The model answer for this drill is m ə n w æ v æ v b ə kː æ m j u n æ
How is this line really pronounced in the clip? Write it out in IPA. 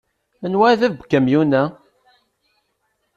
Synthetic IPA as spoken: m ə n w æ ð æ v b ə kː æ m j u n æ

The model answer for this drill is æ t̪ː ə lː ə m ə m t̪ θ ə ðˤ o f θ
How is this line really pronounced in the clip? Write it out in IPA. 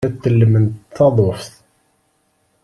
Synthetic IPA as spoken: æ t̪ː ə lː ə m ə n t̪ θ ɑ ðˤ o f θ

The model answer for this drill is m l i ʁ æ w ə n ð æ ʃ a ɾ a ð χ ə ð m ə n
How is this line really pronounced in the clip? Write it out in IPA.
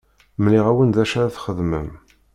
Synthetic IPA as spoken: m l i ʁ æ w ə n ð æ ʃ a ɾ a θ χ ə ð m ə m

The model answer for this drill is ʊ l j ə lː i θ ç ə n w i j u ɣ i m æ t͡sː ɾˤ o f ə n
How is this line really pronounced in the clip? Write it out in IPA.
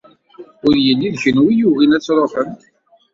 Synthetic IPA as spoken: ʊ ɾ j ə lː i ð ç ə n w i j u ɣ i n æ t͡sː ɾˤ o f ə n

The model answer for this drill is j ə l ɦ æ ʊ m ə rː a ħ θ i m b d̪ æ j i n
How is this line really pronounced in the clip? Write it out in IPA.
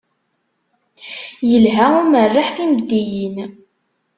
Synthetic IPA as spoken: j ə l ɦ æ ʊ m ə rː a ħ θ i m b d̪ i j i n

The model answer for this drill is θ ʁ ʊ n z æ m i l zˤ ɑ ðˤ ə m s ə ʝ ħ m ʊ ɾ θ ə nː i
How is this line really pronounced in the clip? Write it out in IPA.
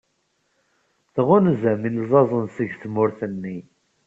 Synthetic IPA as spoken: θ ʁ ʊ n z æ m i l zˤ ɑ zˤ ə n s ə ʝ θ m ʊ ɾ θ ə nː i

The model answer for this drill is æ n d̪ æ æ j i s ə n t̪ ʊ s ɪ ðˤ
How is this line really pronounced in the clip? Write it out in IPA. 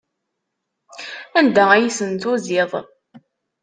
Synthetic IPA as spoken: æ n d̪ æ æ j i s ə n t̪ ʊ z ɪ ðˤ

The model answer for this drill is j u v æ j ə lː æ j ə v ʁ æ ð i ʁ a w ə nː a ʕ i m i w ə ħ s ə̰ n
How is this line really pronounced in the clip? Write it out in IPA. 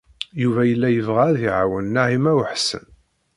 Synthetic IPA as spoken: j u v æ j ə lː æ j ə v ʁ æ ð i ʕ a w ə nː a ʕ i m æ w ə ħ s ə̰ n

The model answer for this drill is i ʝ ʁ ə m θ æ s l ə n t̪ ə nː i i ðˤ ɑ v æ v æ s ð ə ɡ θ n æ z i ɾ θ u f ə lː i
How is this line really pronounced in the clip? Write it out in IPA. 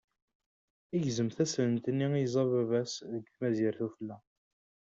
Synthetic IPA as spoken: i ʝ z ə m θ æ s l ə n t̪ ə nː i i zˤ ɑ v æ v æ s ð ə ɡ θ m æ z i ɾ θ u f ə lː æ

